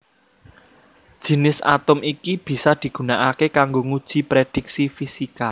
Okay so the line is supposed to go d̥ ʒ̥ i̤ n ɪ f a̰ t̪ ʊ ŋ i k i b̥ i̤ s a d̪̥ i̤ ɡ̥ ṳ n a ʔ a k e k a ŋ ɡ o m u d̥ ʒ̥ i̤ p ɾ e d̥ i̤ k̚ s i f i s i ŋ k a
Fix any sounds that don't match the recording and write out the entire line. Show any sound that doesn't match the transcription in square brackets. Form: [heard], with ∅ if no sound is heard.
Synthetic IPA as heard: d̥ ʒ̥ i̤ n ɪ [s] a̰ t̪ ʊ [m] i k i b̥ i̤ s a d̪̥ i̤ ɡ̥ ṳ n a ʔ a k e k a ŋ ɡ o [ŋ] u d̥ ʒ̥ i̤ p ɾ e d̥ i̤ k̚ s i f i s i [∅] k a